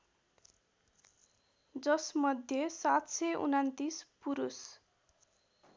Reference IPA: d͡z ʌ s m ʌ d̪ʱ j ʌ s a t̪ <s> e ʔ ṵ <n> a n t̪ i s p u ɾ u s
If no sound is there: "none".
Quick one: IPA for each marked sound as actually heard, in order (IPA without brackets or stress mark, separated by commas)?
s, n